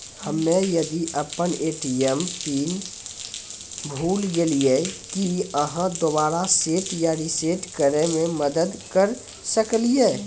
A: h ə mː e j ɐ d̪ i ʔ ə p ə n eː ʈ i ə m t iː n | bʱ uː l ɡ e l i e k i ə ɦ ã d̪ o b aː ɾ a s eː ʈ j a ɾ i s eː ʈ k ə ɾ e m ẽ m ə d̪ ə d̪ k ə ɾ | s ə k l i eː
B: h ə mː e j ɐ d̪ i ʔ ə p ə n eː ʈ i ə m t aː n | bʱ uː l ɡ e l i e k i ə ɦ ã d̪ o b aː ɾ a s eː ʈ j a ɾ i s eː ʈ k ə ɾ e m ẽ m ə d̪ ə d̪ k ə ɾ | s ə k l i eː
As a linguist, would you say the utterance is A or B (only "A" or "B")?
A